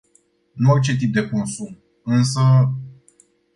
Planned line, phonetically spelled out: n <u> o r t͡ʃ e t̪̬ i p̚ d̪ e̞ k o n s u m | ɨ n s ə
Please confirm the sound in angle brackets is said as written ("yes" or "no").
yes